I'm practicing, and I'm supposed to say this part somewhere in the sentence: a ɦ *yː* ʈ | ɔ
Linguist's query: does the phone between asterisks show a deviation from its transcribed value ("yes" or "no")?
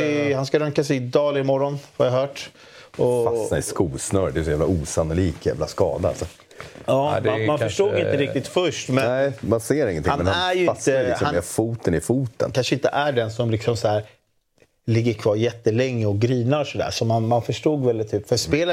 yes